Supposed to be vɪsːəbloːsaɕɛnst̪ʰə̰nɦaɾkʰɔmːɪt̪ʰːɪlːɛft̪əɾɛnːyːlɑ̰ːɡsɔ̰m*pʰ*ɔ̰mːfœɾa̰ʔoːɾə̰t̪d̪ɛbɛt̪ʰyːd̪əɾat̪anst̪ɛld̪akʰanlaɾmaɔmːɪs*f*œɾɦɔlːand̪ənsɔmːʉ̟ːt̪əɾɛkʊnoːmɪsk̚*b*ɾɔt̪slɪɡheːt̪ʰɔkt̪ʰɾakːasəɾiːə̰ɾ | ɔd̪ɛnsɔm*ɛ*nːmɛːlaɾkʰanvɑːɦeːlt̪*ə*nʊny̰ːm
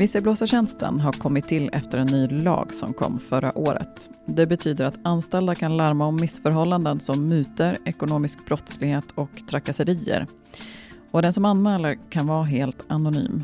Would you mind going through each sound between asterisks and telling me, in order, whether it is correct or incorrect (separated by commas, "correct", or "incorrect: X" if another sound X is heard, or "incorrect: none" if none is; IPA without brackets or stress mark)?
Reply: incorrect: kʰ, correct, correct, incorrect: a, incorrect: a